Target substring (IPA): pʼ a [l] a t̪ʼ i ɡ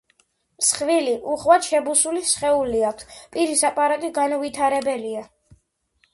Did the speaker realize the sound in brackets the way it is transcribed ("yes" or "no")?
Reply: no